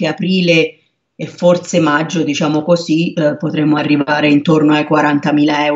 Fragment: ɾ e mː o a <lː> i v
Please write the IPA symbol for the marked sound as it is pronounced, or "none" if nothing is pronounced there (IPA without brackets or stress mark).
rː